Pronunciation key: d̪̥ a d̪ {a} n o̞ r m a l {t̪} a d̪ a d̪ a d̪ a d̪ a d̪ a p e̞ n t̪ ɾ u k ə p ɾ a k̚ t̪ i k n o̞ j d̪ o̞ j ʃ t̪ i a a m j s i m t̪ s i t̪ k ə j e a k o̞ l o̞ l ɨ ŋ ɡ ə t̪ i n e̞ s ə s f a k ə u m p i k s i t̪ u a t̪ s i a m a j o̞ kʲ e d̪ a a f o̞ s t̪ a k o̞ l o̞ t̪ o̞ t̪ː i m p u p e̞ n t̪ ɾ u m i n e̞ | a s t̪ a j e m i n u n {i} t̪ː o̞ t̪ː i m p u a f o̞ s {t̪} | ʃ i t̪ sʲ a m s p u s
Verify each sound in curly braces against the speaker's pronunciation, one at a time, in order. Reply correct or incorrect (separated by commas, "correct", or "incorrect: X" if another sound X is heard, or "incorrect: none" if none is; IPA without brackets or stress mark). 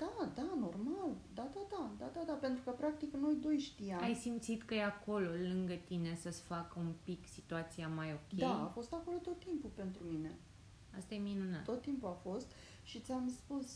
correct, incorrect: d̪, incorrect: a, correct